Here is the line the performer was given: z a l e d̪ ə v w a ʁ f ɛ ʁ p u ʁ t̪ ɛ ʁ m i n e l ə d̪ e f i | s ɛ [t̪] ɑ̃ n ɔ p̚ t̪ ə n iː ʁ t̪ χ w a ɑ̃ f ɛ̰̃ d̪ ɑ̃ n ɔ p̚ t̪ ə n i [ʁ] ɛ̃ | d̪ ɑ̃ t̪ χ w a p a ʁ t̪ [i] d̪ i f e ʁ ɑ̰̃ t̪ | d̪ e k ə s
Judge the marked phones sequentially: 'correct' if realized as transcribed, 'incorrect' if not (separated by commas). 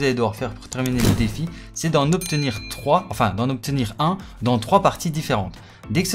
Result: incorrect, correct, correct